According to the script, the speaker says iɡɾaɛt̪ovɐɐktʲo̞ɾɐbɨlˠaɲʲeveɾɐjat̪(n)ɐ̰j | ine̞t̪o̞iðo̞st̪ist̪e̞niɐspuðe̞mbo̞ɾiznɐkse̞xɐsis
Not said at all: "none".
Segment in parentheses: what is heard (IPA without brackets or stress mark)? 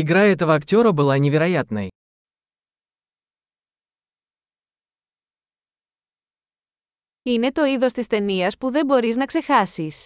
n